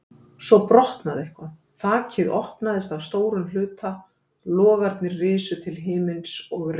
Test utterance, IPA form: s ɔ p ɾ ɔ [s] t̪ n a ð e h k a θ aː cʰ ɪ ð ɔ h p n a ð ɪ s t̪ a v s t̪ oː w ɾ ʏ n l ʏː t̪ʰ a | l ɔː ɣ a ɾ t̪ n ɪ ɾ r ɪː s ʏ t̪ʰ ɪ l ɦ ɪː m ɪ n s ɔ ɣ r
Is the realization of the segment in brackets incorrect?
yes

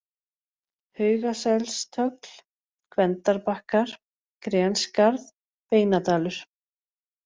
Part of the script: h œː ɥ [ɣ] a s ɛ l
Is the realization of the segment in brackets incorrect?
no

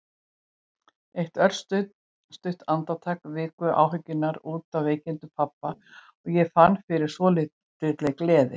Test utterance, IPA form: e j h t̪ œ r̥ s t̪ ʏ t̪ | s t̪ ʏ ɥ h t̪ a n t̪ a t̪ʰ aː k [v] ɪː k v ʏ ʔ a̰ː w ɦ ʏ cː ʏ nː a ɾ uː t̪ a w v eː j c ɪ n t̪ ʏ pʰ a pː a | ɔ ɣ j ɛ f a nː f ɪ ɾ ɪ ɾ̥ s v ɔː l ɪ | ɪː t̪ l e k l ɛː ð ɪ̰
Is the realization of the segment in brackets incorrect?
no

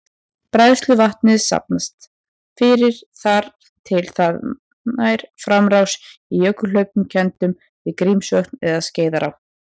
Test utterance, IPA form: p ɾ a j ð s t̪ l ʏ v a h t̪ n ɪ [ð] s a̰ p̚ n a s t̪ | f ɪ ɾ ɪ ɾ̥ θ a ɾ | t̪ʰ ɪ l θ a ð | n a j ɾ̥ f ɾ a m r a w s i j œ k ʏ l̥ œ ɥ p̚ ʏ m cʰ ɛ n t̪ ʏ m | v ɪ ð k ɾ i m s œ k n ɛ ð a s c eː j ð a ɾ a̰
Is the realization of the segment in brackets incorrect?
no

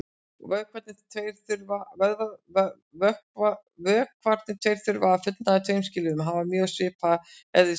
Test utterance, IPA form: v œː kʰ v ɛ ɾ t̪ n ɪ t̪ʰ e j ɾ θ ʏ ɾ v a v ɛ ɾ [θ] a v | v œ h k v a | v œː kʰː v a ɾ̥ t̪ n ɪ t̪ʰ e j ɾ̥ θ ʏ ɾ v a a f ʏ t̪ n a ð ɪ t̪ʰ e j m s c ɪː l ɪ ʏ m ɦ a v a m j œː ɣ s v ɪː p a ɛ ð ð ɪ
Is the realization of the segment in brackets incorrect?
yes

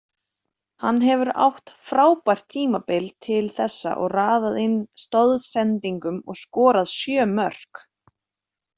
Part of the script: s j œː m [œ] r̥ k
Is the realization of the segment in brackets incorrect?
no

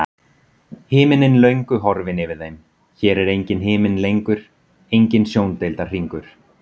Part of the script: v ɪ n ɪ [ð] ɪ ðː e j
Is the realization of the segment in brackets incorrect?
yes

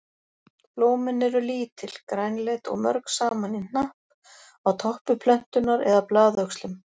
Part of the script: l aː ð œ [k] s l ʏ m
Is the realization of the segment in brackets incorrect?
no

